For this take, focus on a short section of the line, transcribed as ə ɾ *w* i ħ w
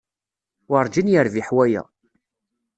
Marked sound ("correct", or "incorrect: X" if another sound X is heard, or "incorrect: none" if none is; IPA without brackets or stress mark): incorrect: v